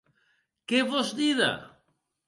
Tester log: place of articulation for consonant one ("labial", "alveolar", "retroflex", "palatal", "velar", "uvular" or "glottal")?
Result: velar